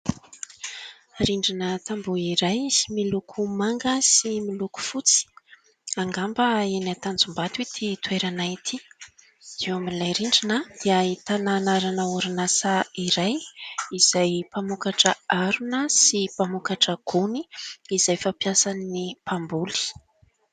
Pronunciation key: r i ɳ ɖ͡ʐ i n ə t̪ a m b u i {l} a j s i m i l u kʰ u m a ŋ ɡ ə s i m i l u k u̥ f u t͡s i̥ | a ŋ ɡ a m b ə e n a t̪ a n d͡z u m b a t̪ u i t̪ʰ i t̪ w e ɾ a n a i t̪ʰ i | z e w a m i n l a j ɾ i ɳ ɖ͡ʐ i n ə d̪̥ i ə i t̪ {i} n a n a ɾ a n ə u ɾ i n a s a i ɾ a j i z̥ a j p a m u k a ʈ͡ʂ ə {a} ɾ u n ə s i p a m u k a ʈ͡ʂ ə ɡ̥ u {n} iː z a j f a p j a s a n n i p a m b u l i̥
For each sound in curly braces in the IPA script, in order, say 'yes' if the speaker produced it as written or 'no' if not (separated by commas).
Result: no, no, yes, yes